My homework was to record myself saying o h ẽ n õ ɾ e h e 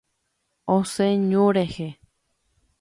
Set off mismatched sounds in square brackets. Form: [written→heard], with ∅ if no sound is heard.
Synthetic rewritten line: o [h→s] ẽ [n→ɲ] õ ɾ e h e